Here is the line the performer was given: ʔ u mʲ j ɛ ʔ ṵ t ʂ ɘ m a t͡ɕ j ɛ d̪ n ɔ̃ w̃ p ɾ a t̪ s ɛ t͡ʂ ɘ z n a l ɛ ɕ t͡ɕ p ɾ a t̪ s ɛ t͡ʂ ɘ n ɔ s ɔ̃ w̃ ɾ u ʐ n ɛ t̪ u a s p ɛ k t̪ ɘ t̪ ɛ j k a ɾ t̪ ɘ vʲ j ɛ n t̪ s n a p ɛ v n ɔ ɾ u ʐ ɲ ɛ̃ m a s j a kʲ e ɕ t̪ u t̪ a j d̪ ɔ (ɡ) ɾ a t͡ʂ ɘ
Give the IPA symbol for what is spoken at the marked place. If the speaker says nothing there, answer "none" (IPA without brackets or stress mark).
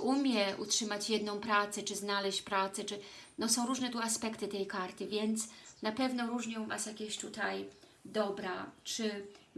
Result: b